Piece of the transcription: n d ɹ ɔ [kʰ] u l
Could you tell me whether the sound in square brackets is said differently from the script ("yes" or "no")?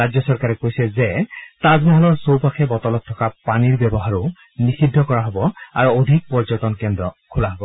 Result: no